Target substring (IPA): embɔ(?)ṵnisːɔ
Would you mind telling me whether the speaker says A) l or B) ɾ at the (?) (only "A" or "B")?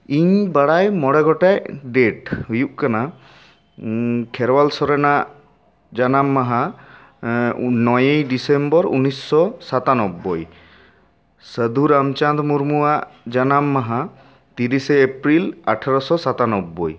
B